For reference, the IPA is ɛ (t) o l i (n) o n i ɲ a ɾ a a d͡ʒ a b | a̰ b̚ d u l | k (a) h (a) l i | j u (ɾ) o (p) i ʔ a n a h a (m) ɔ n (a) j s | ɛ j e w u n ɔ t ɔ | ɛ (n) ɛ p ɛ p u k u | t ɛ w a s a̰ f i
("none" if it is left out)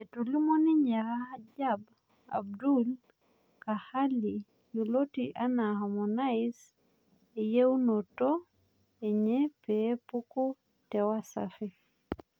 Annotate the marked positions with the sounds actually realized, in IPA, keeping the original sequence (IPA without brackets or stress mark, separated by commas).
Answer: t, m, a, a, l, t, m, a, ɲ